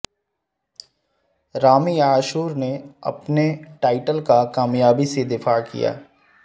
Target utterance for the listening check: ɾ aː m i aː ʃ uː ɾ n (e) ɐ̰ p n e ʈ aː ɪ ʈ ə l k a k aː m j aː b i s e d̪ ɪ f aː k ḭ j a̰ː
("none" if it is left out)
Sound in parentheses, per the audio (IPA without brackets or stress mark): e